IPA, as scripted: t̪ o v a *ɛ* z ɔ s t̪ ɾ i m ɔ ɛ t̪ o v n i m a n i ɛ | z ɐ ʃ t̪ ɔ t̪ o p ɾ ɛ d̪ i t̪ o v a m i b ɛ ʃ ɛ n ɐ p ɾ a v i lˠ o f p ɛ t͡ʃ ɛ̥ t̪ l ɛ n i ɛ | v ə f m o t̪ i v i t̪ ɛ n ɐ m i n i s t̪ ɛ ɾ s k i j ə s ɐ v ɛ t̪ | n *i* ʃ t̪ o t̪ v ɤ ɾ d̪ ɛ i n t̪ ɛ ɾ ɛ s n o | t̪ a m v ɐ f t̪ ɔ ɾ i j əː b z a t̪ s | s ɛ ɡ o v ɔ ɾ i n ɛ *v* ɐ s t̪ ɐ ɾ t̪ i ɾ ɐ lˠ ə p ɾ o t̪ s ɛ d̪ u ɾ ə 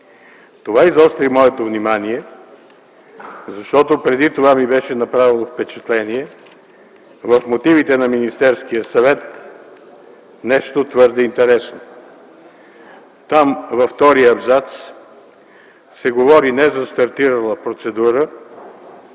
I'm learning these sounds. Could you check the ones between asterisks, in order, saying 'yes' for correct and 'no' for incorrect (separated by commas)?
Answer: no, no, no